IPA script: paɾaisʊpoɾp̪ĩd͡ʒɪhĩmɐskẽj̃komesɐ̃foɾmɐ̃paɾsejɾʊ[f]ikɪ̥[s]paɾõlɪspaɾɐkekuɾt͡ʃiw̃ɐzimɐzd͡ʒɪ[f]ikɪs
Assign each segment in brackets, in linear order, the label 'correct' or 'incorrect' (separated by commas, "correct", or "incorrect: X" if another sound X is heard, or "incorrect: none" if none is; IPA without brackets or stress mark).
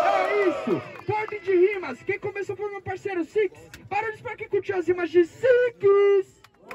incorrect: s, correct, incorrect: s